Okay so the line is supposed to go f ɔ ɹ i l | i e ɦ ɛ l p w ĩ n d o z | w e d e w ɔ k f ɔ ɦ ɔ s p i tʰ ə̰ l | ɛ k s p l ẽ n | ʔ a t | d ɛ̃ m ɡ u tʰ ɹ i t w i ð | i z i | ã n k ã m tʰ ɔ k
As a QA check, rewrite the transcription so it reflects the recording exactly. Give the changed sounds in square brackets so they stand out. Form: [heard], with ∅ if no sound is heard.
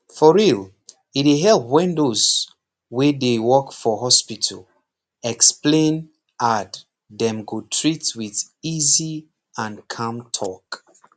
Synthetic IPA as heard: f ɔ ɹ i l | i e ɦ ɛ l p w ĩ n d o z | w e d e w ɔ k f ɔ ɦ ɔ s p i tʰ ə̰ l | ɛ k s p l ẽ n | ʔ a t | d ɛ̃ m ɡ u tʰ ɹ i t w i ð | i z i | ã n [kʰ] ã m tʰ ɔ k